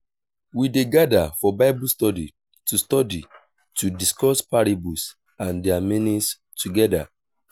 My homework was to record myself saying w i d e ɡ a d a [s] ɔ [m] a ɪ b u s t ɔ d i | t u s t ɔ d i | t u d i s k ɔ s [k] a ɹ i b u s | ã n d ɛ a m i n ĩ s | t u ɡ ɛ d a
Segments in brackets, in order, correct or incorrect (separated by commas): incorrect, incorrect, incorrect